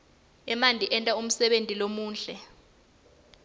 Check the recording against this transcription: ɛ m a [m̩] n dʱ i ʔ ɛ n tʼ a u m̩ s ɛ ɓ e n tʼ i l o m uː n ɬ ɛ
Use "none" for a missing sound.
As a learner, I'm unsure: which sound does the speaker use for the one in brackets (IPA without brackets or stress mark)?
none